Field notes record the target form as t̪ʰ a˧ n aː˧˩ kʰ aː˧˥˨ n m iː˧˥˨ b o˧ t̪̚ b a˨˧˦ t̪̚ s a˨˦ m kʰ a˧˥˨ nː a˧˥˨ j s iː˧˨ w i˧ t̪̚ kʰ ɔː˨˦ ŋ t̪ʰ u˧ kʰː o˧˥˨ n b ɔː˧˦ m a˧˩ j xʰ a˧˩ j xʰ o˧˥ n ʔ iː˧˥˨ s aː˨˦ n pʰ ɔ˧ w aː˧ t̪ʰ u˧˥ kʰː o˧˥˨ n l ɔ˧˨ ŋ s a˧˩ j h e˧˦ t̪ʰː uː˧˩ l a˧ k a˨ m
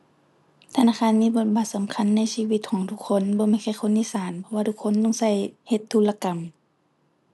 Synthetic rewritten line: t̪ʰ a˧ n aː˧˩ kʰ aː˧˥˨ n m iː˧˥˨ b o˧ t̪̚ b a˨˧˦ t̪̚ s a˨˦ m kʰ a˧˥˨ nː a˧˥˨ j s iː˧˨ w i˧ t̪̚ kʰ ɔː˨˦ ŋ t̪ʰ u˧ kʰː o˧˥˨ n b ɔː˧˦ m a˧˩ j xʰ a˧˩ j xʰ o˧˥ n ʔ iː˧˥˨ s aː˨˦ n pʰ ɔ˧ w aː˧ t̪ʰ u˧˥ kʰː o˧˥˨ n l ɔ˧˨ ŋ s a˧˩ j h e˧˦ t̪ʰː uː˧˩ l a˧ k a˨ m

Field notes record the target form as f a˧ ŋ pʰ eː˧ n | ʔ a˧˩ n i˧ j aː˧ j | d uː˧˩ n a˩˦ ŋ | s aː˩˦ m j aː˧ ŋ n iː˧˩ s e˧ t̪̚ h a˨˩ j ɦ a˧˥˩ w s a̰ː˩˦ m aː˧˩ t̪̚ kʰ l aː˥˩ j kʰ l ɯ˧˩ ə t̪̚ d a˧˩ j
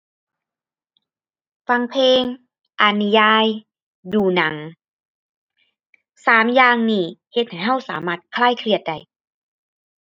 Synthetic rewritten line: f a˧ ŋ pʰ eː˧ ŋ | ʔ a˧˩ n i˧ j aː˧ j | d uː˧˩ n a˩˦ ŋ | s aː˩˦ m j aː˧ ŋ n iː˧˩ h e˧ t̪̚ h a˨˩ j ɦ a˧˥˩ w s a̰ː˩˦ m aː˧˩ t̪̚ kʰ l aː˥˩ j kʰ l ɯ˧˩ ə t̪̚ d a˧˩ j

